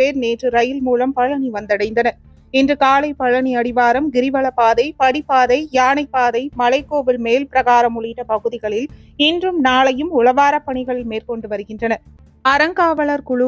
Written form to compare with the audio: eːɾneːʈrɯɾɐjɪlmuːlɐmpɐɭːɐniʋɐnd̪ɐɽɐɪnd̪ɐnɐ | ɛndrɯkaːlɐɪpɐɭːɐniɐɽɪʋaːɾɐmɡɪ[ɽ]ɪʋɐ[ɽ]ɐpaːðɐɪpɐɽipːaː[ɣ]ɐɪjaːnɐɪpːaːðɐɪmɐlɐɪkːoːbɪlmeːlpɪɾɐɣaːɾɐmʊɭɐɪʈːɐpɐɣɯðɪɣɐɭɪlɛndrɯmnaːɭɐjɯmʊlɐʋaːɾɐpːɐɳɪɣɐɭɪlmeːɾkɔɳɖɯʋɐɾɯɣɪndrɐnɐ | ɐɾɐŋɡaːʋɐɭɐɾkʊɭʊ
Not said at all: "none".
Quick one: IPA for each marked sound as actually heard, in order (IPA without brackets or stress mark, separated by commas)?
ɾ, ɭ, ð